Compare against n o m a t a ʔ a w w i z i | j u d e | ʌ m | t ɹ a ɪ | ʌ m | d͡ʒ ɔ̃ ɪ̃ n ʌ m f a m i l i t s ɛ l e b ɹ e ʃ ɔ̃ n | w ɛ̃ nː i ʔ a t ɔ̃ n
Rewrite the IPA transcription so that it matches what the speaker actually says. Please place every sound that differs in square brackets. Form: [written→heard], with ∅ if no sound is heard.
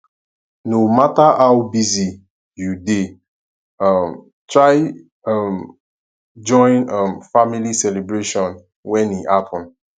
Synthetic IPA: n o m a t a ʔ a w [w→b] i z i | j u d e | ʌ m | t ɹ a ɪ | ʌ m | d͡ʒ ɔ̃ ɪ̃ n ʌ m f a m i l i [t→∅] s ɛ l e b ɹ e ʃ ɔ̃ n | w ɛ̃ [nː→n] i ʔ a t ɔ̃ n